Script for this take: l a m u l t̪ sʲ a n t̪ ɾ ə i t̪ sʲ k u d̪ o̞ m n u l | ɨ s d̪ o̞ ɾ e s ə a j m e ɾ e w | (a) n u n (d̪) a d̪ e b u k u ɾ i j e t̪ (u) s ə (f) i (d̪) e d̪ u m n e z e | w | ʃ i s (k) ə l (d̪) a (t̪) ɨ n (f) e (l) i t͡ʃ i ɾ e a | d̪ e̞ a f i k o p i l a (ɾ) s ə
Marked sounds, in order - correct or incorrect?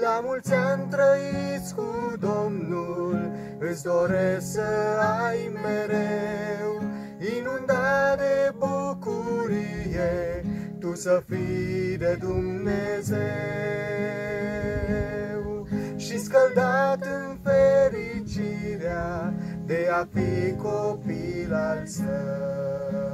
incorrect: i, correct, correct, correct, correct, correct, correct, correct, correct, incorrect: ɾ, incorrect: l

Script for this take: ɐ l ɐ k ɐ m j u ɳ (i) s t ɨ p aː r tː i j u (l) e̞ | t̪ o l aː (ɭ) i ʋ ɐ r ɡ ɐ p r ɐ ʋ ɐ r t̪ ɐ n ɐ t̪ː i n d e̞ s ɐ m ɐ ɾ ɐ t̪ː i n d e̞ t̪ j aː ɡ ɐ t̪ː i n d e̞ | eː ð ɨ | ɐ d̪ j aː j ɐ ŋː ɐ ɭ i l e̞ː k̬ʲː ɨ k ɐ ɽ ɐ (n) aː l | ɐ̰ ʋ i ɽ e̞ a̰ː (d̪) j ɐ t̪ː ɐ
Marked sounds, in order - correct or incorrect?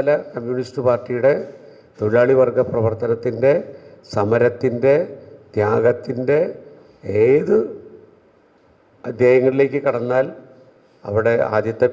correct, incorrect: ɽ, correct, incorrect: nː, correct

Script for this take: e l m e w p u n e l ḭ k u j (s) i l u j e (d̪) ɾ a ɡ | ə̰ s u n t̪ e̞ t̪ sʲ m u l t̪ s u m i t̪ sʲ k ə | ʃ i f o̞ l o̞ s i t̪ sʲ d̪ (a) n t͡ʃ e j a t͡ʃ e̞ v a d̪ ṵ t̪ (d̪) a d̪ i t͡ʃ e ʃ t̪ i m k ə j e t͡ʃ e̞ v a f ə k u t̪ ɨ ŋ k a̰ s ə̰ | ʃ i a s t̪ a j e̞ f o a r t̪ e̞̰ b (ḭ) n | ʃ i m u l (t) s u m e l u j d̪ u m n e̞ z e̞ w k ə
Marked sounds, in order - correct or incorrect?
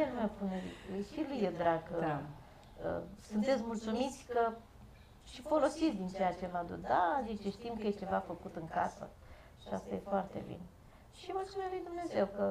incorrect: ʃ, correct, incorrect: i, correct, correct, correct

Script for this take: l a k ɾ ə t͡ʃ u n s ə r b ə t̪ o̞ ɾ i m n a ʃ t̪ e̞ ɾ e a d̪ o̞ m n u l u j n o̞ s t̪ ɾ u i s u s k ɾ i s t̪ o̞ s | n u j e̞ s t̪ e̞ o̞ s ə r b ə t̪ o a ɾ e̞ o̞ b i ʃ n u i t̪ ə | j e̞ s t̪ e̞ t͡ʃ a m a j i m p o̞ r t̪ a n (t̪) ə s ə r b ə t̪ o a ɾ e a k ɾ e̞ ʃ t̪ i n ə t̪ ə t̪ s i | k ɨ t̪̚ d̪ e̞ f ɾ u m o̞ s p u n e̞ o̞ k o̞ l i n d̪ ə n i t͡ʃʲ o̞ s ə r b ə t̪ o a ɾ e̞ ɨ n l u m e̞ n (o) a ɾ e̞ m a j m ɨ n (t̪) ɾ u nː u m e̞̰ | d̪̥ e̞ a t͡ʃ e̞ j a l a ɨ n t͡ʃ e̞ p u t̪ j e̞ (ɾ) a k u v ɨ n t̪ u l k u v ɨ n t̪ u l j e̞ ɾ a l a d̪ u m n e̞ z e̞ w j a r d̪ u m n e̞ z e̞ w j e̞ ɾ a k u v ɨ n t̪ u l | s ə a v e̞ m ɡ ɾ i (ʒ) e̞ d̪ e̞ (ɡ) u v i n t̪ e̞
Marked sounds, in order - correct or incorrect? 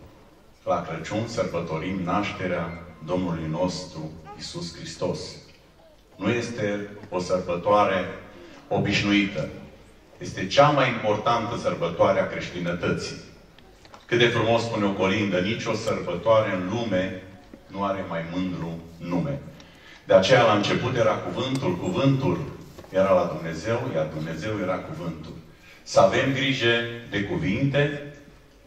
correct, incorrect: u, incorrect: d̪, correct, correct, incorrect: k

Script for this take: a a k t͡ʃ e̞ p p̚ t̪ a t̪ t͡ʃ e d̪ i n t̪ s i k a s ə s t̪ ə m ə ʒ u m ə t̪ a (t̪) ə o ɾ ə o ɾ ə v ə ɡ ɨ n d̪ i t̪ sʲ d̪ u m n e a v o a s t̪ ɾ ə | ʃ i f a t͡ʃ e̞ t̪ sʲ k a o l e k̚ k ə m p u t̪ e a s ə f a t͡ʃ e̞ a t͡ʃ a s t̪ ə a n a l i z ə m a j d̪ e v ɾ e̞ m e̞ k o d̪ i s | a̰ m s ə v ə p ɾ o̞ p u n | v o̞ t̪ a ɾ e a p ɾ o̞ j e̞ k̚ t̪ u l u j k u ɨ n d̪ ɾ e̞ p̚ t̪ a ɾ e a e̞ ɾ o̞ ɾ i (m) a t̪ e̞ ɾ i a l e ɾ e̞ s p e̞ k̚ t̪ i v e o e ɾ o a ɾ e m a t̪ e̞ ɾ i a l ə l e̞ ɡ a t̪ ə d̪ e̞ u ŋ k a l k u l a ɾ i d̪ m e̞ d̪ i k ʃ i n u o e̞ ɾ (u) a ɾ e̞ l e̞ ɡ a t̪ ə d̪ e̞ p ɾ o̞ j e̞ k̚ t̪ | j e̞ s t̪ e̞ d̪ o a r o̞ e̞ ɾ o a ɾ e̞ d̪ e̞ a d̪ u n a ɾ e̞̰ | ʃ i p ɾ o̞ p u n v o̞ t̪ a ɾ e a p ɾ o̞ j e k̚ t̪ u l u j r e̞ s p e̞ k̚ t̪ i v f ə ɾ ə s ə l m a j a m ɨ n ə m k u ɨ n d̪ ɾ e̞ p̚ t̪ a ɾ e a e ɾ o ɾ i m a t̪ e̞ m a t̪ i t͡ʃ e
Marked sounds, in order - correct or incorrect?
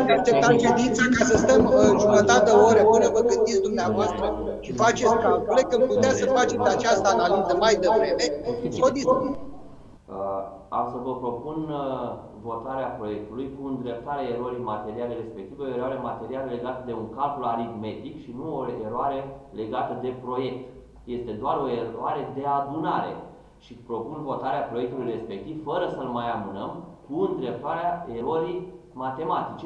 correct, correct, incorrect: o

